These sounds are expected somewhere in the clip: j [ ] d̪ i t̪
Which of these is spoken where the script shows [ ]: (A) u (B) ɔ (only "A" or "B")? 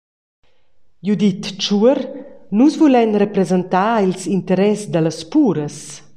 A